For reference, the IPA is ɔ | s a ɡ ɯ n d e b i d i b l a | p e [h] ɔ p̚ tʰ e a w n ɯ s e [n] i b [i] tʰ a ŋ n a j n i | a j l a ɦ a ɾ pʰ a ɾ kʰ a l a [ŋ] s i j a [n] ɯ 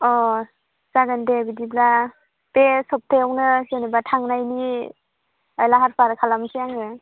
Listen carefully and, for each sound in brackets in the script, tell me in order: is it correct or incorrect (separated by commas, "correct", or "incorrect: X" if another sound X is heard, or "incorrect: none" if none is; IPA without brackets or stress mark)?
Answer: incorrect: s, correct, incorrect: a, incorrect: m, incorrect: ŋ